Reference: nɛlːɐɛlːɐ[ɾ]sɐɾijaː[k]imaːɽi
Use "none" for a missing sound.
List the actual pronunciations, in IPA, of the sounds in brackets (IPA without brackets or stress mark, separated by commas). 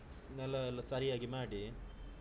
none, ɡ